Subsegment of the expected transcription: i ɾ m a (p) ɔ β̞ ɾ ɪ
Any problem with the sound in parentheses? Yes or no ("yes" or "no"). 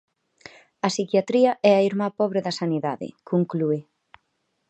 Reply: no